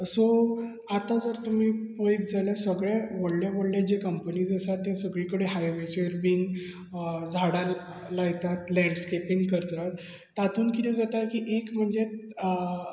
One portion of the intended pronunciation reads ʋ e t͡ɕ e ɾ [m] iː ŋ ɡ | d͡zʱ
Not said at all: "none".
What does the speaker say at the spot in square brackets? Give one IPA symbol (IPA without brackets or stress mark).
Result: b